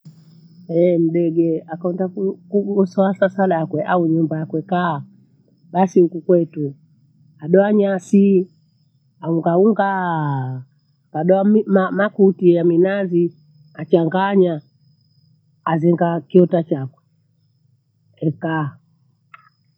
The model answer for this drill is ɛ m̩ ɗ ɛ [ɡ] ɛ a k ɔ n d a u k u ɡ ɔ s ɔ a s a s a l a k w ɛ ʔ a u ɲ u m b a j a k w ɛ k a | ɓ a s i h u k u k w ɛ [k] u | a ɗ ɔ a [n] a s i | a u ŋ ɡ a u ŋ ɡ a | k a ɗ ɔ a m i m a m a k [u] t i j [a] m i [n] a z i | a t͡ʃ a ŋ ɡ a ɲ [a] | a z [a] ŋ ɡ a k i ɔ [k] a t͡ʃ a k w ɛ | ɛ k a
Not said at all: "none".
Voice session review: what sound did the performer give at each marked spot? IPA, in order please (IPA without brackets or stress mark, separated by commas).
ɡ, t, ɲ, u, a, n, a, ɛ, t